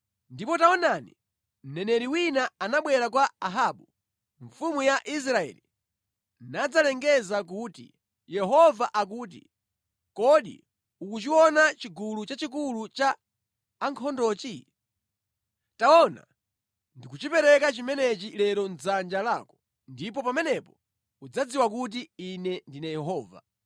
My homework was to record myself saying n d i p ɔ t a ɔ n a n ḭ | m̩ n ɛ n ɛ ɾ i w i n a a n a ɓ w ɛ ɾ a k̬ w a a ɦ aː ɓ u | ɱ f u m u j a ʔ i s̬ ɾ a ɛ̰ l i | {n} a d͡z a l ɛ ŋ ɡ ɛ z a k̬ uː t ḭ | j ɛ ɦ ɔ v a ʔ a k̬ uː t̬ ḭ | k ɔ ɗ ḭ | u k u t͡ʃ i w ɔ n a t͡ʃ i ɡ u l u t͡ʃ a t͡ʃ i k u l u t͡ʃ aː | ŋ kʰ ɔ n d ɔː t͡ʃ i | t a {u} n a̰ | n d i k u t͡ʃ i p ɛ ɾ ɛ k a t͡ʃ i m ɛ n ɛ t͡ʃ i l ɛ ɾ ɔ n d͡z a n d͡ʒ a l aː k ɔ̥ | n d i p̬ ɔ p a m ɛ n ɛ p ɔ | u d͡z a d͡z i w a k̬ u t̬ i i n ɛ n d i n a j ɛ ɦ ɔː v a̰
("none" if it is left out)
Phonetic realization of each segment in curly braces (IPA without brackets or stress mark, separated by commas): n, ɔ